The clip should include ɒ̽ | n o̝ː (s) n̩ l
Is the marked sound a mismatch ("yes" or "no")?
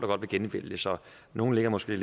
yes